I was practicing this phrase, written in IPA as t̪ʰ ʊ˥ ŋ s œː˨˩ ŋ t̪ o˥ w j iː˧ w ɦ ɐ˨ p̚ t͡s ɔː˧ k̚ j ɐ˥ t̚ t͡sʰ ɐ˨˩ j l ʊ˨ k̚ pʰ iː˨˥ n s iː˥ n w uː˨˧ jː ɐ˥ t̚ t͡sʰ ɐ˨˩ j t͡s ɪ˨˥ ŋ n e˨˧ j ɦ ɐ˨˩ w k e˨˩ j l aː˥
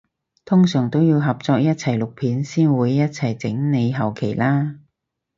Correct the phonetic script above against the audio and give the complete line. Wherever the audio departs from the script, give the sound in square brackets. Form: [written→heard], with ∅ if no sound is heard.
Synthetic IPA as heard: t̪ʰ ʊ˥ ŋ s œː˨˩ ŋ t̪ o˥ w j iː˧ w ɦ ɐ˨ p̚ t͡s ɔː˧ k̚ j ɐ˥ t̚ t͡sʰ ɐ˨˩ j l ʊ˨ k̚ pʰ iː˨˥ n s iː˥ n w uː˨˧ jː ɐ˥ t̚ t͡sʰ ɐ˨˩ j t͡s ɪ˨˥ ŋ n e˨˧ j ɦ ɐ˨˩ w [k→kʰ] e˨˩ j l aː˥